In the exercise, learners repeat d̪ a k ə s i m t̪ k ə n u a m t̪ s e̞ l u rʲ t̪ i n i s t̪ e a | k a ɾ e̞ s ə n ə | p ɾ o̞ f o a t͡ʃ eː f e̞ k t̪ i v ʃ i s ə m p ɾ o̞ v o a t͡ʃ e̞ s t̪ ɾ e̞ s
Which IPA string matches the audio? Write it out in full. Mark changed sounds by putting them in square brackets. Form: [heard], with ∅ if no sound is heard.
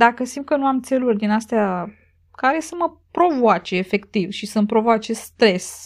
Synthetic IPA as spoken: d̪ a k ə s i m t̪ k ə n u a m t̪ s e̞ l u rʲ [d̪] i n [a] s t̪ e a | k a ɾ e̞ s ə [m] ə | p ɾ o̞ [v] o a t͡ʃ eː f e̞ k t̪ i v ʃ i s ə m p ɾ o̞ v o a t͡ʃ e̞ s t̪ ɾ e̞ s